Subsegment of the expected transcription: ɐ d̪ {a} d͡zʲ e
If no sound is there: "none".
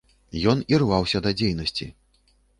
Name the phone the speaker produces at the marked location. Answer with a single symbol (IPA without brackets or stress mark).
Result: ɐ